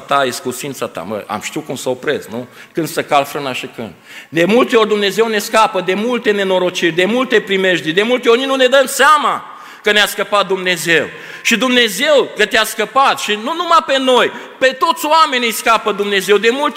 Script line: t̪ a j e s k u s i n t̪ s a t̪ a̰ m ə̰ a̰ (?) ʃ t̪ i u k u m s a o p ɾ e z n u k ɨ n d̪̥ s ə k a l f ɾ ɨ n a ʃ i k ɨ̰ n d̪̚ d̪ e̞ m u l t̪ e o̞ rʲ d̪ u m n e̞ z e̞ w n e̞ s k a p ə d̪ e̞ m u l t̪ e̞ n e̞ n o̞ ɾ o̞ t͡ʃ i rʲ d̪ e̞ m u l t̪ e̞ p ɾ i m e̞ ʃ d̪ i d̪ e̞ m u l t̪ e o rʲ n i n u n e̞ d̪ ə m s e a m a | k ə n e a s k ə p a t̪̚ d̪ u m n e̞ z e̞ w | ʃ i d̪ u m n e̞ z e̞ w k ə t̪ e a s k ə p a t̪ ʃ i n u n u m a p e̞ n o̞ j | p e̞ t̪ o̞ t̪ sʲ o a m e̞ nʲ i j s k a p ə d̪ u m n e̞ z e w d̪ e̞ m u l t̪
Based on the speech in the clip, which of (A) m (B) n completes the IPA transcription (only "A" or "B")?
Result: A